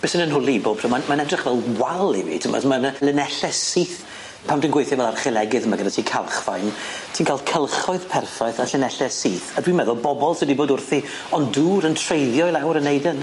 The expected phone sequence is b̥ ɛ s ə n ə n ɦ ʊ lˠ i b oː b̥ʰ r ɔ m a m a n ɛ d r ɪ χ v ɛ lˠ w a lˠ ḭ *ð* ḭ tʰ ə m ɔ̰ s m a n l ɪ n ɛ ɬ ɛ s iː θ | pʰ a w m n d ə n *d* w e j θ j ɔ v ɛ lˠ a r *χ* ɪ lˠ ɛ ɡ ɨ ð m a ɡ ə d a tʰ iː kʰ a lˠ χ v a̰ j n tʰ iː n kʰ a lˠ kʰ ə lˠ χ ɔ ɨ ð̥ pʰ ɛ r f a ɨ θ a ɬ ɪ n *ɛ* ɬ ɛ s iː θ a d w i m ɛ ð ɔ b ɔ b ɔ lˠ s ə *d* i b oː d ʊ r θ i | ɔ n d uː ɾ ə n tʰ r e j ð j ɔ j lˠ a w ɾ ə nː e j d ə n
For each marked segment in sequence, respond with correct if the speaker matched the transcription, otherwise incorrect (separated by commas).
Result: incorrect, incorrect, correct, correct, correct